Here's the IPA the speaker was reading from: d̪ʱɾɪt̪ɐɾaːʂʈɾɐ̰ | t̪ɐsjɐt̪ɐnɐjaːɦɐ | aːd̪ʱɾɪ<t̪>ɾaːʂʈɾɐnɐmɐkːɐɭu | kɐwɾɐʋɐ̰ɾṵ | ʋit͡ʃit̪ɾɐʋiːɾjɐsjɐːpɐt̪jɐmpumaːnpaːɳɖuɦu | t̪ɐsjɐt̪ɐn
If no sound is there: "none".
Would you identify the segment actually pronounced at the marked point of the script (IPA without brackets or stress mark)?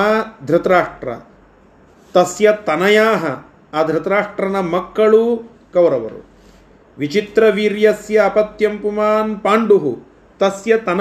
t̪